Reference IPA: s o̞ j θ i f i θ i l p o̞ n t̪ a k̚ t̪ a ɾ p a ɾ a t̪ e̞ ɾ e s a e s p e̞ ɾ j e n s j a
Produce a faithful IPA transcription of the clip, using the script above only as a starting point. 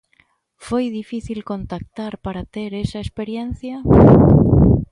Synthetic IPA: f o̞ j ð i f i θ i l k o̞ n t̪ a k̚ t̪ a ɾ p a ɾ a t̪ e̞ ɾ e s a e s p e̞ ɾ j e n θ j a